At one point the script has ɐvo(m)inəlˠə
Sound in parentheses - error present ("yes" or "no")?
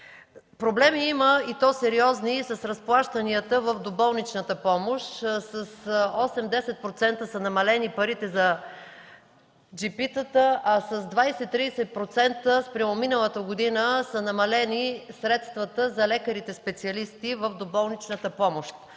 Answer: no